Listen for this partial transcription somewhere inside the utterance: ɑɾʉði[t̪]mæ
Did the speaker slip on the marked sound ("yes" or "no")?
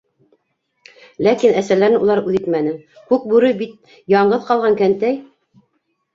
no